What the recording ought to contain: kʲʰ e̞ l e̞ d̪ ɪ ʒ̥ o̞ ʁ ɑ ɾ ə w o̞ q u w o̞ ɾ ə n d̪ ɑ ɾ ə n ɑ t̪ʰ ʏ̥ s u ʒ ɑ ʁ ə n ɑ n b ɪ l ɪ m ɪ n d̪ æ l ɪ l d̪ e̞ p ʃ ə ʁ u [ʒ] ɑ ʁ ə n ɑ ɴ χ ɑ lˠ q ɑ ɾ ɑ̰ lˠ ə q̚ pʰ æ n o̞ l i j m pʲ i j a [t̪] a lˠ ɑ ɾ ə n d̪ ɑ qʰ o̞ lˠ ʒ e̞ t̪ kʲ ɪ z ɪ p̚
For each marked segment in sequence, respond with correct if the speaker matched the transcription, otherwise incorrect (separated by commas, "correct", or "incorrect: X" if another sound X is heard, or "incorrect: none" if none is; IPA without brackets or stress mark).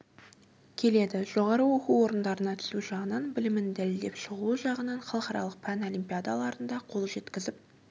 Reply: correct, incorrect: d̪